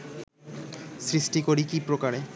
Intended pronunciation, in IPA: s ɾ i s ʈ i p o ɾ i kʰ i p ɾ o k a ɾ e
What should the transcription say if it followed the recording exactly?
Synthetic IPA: s ɾ i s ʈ i k o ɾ i k i p ɾ o k a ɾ e